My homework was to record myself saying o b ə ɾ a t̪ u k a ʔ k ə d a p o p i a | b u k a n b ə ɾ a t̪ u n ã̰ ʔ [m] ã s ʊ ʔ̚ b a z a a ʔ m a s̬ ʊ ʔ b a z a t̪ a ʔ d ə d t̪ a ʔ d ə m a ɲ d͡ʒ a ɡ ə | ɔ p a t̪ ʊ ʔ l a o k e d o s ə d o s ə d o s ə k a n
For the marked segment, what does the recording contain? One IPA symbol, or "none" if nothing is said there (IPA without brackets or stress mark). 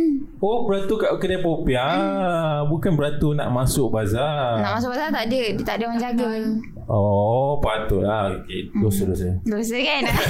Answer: m